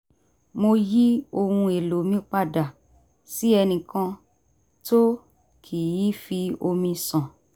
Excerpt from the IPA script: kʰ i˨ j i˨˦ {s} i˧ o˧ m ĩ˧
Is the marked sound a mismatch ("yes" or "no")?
yes